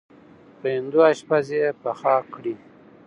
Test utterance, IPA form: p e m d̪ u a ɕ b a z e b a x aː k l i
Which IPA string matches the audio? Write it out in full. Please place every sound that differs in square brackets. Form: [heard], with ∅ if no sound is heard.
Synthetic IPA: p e [n] d̪ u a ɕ [p] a z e [p] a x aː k [ɽ] i